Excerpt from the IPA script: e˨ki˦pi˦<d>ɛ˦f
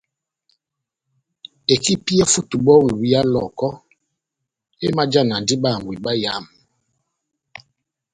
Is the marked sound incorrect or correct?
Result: incorrect